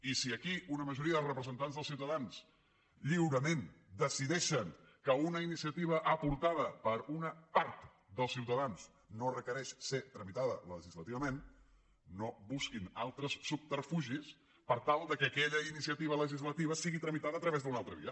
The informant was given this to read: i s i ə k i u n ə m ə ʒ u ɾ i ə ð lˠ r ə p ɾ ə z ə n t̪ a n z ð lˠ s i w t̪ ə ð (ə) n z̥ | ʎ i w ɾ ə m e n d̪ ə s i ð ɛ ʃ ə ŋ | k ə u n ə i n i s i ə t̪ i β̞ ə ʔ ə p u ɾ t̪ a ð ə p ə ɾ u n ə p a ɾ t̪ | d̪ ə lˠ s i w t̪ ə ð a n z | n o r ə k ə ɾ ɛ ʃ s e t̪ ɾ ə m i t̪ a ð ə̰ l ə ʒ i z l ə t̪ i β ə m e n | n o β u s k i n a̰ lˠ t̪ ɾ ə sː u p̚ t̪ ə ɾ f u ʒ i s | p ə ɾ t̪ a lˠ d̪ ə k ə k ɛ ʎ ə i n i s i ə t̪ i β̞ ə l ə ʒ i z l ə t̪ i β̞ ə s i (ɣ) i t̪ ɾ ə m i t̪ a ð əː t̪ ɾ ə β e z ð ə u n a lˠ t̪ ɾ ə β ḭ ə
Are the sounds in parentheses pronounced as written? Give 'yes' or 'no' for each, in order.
no, yes

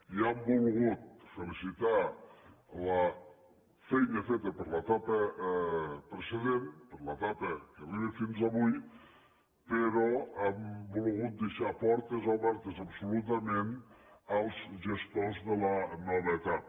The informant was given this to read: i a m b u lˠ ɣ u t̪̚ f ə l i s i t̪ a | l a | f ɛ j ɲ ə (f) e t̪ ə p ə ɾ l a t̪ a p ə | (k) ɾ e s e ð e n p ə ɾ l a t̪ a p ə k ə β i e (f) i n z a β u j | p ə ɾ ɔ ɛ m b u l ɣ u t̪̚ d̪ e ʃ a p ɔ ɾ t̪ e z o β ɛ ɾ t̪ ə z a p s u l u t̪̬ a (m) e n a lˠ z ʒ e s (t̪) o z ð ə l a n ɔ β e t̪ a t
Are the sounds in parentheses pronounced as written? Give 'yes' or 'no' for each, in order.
yes, no, yes, yes, yes

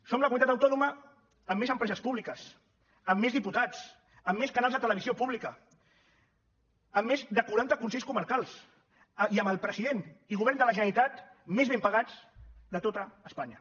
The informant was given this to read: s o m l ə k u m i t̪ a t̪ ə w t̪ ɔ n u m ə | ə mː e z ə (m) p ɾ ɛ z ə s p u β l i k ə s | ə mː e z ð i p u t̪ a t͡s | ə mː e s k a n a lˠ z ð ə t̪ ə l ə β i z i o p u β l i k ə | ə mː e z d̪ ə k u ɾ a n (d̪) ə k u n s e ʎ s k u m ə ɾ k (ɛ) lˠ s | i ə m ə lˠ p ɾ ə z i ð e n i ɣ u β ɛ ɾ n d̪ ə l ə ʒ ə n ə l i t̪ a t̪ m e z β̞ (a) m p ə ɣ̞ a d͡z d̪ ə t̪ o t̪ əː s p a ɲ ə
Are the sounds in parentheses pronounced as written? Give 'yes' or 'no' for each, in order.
yes, no, no, no

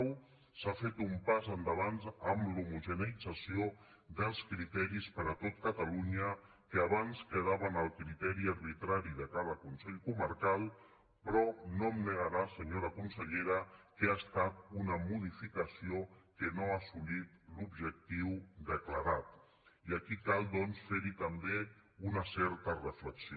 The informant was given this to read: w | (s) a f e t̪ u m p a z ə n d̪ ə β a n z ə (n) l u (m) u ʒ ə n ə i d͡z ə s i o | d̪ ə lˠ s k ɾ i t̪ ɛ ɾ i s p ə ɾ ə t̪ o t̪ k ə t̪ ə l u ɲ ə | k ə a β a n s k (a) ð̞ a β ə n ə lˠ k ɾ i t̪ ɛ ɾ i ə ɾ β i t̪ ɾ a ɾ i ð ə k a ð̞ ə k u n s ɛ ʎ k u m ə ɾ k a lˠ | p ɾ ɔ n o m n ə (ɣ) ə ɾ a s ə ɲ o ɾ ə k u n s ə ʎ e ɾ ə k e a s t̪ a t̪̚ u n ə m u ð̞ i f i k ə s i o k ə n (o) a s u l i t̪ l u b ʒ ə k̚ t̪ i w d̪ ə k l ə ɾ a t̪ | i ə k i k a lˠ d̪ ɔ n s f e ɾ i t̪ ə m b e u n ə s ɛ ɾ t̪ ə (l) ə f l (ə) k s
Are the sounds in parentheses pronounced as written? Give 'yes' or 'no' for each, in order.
yes, no, yes, no, yes, yes, no, yes

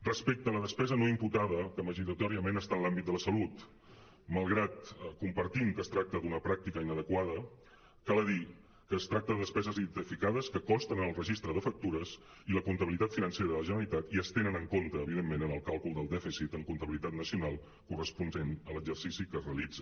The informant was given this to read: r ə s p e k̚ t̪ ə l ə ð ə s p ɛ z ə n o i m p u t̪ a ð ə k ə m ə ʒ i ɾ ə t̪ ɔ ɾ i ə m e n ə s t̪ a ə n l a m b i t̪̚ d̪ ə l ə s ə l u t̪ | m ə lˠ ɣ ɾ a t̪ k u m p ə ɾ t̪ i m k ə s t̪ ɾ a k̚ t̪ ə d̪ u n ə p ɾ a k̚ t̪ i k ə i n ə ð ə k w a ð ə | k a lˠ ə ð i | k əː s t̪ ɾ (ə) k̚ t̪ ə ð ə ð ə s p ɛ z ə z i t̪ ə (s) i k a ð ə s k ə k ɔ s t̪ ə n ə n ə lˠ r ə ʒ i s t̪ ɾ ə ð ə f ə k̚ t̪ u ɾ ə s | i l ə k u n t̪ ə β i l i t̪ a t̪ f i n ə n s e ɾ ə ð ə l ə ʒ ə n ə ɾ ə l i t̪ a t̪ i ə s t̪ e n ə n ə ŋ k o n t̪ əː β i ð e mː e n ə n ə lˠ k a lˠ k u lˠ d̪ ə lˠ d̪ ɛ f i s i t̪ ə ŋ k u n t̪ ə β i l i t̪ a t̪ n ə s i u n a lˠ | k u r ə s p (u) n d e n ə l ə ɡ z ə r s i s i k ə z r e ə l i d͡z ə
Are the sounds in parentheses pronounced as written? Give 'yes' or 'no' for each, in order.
no, no, yes

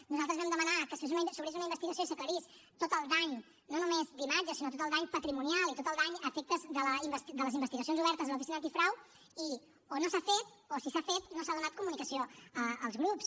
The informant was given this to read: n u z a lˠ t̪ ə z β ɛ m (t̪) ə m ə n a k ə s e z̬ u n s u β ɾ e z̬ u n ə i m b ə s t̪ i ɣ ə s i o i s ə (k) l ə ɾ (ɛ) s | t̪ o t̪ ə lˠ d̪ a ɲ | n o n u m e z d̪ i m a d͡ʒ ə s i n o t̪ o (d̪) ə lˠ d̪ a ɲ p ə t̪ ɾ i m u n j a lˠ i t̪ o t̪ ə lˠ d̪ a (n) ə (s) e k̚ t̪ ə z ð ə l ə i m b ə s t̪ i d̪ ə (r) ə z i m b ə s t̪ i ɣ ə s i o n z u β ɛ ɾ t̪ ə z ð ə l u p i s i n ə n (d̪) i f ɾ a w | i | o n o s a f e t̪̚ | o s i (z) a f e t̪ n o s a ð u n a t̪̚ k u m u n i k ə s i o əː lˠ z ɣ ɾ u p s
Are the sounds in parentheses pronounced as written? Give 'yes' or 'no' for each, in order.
no, yes, no, no, no, no, no, no, no

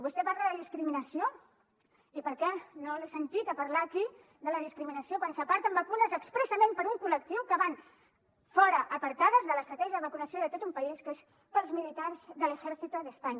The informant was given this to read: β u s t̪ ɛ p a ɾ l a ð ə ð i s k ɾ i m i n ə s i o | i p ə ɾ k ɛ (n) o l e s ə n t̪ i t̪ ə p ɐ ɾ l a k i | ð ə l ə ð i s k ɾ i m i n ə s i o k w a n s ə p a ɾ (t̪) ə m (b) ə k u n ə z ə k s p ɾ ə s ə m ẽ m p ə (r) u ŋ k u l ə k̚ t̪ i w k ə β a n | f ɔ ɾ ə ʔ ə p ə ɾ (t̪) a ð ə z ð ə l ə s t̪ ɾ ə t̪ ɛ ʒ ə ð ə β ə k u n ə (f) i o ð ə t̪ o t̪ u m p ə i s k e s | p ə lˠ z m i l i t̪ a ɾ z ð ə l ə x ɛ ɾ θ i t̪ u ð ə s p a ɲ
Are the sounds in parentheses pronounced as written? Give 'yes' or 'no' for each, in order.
yes, yes, yes, no, yes, no

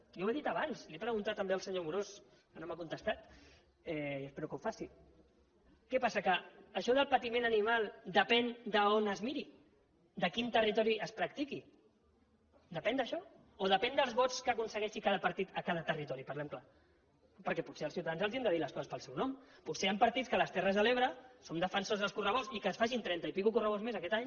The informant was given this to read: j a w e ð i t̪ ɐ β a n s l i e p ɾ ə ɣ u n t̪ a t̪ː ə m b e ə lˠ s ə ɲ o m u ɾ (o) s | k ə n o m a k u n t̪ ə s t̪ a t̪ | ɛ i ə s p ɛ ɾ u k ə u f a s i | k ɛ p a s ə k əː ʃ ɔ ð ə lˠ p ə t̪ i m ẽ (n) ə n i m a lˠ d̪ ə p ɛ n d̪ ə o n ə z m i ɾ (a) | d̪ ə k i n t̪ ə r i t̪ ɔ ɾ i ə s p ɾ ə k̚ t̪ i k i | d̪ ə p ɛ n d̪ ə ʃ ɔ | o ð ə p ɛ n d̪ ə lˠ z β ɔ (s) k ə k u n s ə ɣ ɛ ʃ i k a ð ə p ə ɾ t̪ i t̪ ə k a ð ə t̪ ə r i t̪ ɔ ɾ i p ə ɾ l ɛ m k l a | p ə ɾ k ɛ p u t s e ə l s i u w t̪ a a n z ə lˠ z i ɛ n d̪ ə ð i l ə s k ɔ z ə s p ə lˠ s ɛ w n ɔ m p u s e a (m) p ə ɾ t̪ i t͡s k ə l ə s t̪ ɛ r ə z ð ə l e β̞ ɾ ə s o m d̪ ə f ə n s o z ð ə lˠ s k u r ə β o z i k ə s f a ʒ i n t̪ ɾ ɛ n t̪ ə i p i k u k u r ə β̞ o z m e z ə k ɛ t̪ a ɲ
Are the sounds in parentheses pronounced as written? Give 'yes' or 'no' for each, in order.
yes, yes, no, no, yes

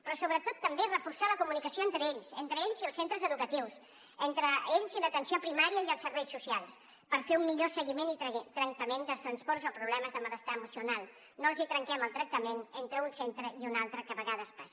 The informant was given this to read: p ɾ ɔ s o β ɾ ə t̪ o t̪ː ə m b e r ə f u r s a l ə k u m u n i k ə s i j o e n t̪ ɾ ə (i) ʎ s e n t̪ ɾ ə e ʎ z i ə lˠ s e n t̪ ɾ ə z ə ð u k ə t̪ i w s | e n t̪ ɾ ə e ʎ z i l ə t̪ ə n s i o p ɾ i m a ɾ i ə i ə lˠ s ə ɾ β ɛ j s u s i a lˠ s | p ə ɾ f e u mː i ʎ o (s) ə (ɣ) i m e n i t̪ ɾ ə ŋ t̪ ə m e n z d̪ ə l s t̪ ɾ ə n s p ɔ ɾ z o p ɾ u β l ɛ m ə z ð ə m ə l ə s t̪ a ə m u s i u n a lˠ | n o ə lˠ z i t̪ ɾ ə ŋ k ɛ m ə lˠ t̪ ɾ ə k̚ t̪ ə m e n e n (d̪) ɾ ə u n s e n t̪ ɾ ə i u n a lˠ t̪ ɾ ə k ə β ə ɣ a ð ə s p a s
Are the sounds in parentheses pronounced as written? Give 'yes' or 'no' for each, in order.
no, yes, yes, no

